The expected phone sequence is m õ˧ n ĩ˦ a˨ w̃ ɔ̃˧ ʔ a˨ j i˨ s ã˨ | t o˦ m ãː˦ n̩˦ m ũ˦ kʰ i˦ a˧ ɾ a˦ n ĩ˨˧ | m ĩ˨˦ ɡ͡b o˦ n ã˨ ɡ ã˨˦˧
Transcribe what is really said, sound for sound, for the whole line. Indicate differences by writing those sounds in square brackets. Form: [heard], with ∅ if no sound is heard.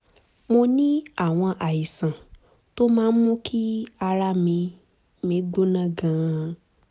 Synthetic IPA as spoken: m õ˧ n ĩ˦ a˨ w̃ ɔ̃˧ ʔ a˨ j i˨ s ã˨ | t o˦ m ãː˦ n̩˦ m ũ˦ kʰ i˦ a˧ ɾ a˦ [m] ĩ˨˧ | m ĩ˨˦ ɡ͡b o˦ n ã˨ ɡ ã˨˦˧